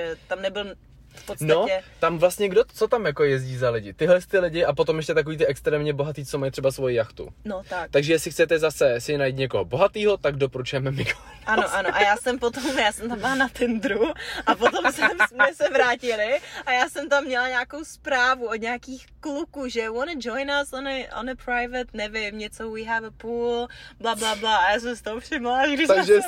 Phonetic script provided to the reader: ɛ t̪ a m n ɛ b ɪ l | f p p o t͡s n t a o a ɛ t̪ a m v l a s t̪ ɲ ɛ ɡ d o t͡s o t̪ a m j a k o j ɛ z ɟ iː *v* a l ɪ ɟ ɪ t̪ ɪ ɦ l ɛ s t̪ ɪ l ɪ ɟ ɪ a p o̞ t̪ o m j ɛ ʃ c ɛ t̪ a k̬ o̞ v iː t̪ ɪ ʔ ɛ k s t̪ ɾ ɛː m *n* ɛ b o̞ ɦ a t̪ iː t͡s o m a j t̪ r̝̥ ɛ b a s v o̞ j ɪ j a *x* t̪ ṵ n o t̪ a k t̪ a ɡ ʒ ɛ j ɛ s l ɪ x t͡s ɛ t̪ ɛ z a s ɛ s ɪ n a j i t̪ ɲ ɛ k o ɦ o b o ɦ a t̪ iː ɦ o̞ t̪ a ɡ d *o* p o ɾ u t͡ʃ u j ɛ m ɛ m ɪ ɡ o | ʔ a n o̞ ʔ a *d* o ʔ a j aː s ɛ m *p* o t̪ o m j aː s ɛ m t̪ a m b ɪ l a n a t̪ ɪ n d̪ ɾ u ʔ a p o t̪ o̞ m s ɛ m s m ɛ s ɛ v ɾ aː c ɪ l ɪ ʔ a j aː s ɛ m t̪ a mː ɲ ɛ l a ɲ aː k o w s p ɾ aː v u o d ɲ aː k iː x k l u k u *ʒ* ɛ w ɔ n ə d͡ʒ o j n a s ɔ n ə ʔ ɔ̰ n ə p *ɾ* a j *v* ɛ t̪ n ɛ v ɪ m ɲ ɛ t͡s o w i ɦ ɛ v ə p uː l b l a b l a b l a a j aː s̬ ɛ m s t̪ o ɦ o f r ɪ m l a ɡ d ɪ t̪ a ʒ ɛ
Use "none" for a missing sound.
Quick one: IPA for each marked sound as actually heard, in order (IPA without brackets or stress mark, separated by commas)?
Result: z, ɲ, x, o, n, p, ʒ, ɾ, v